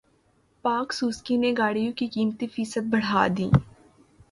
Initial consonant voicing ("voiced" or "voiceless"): voiceless